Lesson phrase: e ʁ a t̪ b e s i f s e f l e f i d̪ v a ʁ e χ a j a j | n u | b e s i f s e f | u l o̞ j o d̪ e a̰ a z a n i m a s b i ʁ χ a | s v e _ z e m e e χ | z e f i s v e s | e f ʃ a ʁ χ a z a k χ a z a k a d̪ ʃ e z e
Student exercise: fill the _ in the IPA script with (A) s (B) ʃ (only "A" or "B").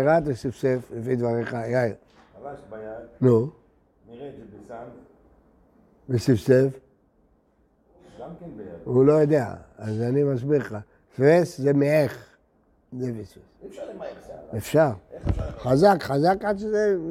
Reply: A